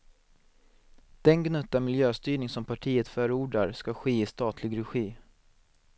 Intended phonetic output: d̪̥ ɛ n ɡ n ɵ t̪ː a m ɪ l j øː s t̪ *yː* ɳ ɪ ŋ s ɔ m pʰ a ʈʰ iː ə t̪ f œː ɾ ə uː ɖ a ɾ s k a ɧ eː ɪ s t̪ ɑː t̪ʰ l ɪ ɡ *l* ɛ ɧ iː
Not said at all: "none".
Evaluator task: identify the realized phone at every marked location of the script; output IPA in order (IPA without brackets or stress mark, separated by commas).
yː, ɾ